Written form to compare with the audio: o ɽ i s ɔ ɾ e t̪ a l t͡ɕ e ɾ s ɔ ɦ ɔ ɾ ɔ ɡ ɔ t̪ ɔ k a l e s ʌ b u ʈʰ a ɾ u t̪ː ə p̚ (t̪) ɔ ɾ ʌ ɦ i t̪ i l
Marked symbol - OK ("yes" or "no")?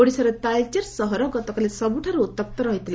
yes